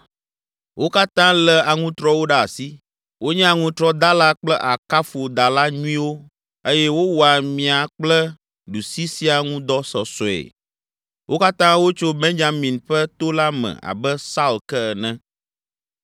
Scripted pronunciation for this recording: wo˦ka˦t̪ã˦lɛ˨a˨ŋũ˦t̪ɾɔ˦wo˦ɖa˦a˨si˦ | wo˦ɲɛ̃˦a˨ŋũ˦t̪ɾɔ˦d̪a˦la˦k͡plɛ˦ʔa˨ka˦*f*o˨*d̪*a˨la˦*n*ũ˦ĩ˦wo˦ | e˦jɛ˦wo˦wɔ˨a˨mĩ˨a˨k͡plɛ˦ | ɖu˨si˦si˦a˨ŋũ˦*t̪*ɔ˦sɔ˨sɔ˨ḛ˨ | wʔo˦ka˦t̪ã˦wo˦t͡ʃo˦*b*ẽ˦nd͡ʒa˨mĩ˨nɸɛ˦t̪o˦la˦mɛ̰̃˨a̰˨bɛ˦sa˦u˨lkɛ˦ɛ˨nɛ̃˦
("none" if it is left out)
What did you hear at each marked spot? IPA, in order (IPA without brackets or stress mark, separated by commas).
f, d̪, ɲ, d̪, b